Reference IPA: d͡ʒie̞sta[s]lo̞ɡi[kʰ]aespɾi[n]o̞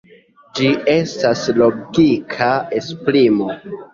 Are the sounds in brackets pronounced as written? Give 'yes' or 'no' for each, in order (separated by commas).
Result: yes, yes, no